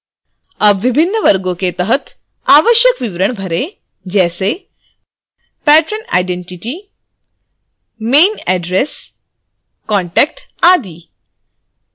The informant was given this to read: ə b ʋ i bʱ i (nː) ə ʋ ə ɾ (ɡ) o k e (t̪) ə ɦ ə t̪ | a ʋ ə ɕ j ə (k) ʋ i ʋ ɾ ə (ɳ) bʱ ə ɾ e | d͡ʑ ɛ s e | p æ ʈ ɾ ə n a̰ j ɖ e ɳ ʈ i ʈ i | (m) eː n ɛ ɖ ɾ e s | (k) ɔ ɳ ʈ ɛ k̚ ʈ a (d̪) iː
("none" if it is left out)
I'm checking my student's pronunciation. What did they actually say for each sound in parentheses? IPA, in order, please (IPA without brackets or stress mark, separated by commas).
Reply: nː, ɡ, t̪, k, ɳ, m, k, d̪